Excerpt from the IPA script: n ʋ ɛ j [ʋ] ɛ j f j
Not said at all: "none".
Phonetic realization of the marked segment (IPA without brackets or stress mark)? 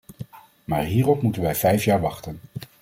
v